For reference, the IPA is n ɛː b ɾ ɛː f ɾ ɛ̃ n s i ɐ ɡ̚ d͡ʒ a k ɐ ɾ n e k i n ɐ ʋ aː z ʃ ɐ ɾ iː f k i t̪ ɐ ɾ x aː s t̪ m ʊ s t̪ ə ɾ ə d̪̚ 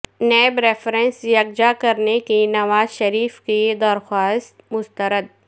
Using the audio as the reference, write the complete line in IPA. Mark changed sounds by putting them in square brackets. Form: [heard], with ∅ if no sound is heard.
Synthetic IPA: n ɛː b ɾ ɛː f ɾ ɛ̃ n s [j] ɐ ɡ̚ d͡ʒ a k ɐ ɾ n e k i n ɐ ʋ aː z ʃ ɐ ɾ iː f k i [d̪] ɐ ɾ x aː s t̪ m ʊ s t̪ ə ɾ ə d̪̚